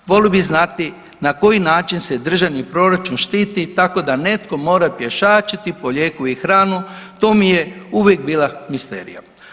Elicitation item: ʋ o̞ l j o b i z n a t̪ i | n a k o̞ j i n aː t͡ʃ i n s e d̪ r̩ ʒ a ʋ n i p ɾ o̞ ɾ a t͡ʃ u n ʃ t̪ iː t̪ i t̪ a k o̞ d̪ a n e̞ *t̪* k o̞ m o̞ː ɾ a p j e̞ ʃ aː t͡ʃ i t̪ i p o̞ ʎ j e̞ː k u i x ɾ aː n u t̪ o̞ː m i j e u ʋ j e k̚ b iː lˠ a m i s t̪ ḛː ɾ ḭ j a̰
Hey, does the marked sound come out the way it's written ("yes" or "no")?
yes